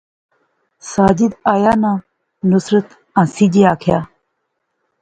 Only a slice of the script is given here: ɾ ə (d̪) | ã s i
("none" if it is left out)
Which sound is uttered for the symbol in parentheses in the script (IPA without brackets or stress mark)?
t̪